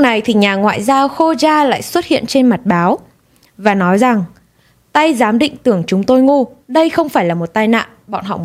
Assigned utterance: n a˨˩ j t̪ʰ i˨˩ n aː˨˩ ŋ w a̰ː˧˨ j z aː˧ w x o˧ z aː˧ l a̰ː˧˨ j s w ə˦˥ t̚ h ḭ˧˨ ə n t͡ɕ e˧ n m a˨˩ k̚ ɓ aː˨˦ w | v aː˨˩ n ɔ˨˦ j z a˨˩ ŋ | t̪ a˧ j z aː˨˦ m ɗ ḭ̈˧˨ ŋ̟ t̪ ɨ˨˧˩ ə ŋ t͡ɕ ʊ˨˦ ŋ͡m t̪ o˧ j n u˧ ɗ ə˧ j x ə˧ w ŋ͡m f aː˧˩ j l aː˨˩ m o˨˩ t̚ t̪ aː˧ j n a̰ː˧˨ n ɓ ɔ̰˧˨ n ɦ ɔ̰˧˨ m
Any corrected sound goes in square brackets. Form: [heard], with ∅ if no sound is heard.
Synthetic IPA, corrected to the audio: n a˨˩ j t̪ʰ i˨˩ [ɲ] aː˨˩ ŋ w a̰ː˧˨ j z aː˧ w x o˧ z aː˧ l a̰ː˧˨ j s w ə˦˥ t̚ h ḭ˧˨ ə n t͡ɕ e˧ n m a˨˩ [t̚] ɓ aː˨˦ w | v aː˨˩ n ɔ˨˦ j z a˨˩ ŋ | t̪ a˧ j z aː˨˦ m ɗ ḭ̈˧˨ ŋ̟ t̪ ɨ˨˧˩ ə ŋ t͡ɕ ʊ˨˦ ŋ͡m t̪ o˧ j [ŋ] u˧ ɗ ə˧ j x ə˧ w ŋ͡m f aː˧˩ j l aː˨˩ m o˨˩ t̚ t̪ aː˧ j n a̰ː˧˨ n ɓ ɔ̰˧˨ n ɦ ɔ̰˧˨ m